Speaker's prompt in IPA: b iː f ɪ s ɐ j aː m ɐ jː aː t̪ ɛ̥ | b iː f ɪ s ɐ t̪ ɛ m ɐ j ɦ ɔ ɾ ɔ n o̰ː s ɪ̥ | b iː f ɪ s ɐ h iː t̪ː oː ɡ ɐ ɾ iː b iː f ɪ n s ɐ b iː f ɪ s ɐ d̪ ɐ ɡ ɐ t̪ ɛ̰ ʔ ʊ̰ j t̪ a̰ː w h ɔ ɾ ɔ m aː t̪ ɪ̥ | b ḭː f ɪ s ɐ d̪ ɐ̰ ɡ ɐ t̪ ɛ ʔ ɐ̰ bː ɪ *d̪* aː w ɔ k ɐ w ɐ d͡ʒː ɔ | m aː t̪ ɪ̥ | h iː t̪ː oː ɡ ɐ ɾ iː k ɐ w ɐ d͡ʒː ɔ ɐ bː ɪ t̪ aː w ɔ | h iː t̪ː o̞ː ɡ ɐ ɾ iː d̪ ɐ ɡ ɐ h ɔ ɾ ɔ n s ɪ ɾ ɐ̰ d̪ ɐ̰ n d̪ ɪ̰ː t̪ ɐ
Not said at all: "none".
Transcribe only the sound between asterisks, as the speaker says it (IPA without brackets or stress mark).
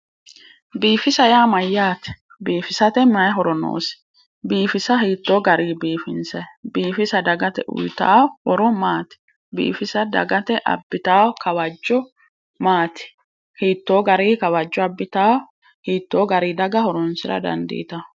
t̪